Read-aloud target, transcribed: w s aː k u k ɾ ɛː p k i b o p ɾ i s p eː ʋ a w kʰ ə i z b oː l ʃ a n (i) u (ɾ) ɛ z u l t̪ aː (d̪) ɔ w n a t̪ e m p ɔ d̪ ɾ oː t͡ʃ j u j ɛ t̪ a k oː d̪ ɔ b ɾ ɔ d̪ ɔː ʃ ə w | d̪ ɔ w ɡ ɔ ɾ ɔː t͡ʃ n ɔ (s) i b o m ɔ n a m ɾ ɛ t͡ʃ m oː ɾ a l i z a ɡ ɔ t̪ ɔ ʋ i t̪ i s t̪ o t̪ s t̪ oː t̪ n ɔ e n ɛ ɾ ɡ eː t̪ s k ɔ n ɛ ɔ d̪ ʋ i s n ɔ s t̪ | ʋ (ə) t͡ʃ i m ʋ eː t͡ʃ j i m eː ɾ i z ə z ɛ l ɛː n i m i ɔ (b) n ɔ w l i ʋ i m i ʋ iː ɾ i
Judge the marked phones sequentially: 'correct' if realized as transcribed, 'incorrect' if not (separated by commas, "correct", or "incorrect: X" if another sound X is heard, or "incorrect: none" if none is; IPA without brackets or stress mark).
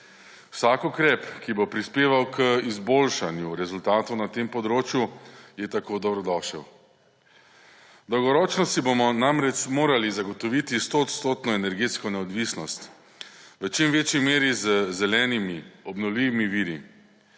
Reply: incorrect: j, correct, incorrect: t̪, correct, correct, correct